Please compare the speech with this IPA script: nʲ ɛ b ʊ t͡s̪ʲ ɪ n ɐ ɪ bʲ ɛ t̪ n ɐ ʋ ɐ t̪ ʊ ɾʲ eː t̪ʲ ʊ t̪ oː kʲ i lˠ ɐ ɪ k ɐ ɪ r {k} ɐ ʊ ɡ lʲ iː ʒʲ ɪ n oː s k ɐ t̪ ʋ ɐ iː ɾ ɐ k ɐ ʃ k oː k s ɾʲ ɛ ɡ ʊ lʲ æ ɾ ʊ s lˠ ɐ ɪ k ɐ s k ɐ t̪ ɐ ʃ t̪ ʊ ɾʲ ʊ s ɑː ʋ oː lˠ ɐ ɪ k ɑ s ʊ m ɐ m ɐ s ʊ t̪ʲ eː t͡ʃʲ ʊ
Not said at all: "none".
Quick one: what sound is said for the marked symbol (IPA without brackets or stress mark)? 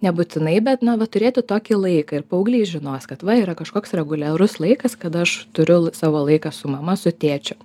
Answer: p